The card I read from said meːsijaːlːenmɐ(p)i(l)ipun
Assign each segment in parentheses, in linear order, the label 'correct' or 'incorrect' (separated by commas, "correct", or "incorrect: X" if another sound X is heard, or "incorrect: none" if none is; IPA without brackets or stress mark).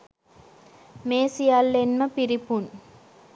correct, incorrect: ɾ